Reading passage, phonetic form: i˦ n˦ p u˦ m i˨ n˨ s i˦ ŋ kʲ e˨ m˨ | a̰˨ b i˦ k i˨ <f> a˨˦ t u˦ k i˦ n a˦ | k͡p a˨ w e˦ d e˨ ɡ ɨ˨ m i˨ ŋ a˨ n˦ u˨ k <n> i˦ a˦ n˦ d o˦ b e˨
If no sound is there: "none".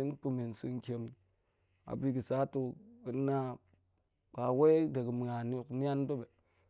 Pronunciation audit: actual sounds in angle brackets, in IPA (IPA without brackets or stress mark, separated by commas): s, n